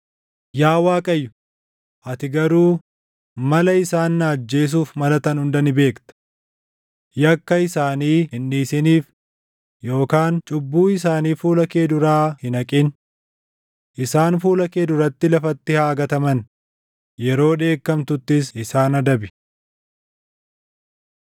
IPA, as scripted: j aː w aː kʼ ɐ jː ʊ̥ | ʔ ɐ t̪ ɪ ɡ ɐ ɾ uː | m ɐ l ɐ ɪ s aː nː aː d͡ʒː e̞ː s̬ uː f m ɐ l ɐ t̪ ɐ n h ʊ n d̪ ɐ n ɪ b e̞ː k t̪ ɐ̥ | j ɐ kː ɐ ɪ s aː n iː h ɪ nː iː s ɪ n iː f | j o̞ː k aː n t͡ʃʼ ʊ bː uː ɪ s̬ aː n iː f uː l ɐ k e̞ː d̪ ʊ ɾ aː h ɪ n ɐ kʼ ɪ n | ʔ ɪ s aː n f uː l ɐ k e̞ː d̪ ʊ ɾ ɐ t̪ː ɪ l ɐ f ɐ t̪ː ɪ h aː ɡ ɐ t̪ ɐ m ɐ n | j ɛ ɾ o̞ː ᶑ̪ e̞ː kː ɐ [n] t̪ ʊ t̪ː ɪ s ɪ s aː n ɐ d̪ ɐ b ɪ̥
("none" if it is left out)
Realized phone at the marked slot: m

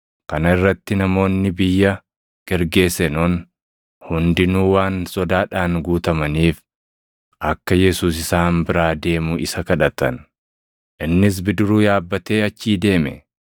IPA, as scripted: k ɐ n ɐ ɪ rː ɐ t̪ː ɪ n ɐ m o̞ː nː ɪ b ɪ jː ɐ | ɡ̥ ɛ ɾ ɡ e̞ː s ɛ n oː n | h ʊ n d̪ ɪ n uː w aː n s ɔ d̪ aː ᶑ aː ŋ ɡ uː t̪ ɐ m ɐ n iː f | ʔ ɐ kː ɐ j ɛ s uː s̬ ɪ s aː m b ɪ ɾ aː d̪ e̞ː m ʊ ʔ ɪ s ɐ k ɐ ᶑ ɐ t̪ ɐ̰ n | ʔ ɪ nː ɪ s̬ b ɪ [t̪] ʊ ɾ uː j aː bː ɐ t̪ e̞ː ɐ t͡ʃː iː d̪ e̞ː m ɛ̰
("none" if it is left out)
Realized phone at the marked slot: d̪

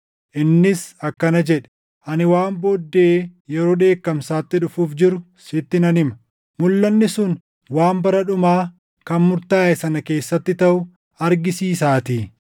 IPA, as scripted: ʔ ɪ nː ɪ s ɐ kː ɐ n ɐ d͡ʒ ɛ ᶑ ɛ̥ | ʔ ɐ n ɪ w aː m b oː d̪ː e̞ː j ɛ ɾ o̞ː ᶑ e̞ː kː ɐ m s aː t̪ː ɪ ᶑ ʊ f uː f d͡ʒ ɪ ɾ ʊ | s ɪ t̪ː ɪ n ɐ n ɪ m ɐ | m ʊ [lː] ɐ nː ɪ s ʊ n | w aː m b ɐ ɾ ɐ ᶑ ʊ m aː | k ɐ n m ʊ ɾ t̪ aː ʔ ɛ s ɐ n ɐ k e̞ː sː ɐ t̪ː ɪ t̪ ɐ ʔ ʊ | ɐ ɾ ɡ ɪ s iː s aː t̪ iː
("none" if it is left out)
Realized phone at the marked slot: lː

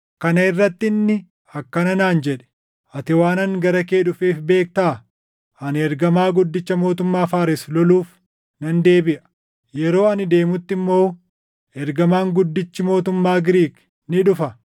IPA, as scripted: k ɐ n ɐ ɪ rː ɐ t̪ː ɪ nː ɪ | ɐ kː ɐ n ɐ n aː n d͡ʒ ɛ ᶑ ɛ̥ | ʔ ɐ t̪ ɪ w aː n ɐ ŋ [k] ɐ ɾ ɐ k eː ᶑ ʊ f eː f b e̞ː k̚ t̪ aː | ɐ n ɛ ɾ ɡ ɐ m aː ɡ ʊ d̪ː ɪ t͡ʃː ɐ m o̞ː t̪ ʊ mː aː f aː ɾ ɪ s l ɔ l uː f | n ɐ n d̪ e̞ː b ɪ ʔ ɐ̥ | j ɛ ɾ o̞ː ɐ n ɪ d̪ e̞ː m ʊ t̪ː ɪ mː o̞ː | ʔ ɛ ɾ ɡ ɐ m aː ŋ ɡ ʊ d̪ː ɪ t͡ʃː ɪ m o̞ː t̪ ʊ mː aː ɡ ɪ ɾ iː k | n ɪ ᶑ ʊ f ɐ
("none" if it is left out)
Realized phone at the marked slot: ɡ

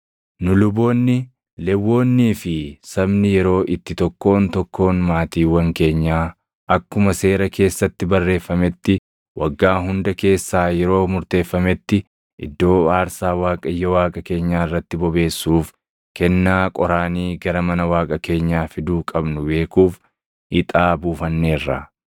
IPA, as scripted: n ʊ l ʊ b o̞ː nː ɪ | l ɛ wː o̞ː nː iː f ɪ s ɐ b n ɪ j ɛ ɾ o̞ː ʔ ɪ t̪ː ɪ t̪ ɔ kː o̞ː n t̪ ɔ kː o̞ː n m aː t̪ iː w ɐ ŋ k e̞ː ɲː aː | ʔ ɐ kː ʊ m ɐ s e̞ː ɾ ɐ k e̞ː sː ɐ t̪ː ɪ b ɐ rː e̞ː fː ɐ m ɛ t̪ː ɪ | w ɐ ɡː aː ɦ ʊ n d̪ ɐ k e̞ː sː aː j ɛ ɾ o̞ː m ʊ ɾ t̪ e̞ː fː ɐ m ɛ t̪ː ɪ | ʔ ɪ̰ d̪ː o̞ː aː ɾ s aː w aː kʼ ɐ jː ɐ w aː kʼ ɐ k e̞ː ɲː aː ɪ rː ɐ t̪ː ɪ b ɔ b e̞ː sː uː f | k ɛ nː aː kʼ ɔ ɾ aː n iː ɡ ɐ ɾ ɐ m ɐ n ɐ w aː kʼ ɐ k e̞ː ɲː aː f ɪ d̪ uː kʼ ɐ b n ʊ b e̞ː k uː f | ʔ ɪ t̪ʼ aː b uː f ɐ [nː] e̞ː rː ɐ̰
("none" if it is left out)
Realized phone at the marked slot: nː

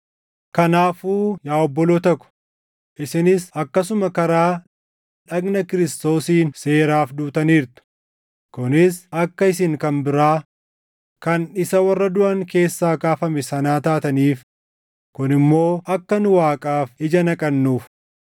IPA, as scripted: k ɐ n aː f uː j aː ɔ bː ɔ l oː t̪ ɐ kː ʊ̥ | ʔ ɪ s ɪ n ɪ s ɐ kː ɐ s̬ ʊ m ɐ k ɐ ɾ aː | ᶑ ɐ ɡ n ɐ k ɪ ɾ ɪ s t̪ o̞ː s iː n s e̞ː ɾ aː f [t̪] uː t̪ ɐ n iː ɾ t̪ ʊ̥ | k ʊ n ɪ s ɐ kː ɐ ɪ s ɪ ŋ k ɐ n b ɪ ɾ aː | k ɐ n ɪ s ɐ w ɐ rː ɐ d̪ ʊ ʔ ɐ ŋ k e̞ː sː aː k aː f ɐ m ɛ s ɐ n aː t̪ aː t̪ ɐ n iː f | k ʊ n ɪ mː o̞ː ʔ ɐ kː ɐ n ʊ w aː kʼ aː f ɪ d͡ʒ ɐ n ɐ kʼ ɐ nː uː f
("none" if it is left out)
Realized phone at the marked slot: d̪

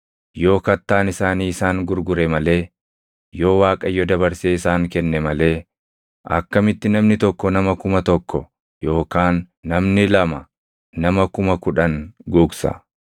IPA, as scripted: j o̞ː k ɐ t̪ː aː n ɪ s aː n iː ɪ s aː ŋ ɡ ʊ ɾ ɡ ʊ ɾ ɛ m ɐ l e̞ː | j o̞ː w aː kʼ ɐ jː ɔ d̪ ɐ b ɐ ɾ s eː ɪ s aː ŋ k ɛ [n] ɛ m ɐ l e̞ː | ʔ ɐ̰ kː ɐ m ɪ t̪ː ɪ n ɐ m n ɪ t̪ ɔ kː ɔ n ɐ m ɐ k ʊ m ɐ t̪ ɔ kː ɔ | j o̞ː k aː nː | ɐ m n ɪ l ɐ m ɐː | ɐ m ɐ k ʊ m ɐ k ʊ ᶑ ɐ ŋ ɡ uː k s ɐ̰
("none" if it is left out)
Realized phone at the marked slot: nː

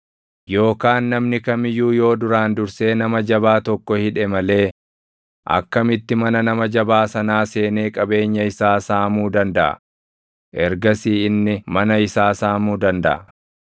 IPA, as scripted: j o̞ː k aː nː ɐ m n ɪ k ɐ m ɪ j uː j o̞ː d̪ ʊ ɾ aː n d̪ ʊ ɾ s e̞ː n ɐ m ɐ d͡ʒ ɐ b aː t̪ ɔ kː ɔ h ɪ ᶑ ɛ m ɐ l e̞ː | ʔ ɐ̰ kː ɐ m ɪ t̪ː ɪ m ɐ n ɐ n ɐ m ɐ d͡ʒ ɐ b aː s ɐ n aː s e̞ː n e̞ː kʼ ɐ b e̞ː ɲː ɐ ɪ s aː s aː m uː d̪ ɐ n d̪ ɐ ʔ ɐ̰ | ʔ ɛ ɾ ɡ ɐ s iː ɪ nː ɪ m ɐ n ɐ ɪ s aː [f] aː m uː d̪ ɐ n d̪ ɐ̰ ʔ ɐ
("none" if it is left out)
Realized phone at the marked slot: s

